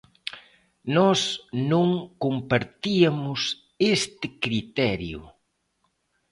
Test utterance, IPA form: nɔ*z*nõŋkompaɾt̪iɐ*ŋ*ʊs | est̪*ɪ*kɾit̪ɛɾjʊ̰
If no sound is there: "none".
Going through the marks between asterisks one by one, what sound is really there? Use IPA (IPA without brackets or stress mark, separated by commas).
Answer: s, m, ɪ